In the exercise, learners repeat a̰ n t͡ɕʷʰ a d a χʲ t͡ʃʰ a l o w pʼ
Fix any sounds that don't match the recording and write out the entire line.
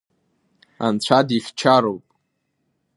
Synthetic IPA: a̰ n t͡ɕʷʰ a d i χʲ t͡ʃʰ a ɾ o w pʼ